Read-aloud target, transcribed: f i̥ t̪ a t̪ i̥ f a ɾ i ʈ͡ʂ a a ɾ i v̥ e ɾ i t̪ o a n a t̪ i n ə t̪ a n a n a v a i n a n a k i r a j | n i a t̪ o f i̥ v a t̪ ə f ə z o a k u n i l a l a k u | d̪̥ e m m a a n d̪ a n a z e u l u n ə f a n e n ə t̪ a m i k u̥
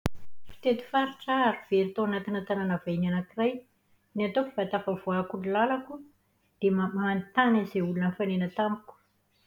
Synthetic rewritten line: f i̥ t̪ e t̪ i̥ f a ɾ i ʈ͡ʂ a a ɾ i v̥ e ɾ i t̪ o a n a t̪ i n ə t̪ a n a n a v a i n a n a k i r a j | n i a t̪ o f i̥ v a t̪ a f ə v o a k u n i l a l a k u | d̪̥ e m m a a n t̪ a n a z e u l u n ə f a n e n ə t̪ a m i k u̥